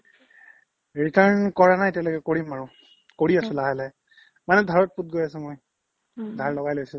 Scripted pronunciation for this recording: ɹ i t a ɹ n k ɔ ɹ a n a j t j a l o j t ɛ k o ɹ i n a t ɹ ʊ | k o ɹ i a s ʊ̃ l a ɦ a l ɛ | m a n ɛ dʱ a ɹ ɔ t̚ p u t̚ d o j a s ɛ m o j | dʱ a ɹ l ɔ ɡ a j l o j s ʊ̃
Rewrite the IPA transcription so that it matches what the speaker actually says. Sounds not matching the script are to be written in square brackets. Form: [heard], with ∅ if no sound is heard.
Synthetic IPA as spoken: ɹ i t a ɹ n k ɔ ɹ a n a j t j a l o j [k] ɛ k o ɹ i [m] a [∅] ɹ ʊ | k o ɹ i a s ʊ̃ l a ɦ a l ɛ | m a n ɛ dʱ a ɹ ɔ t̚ p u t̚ [ɡ] o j a s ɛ m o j | dʱ a ɹ l ɔ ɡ a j l o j s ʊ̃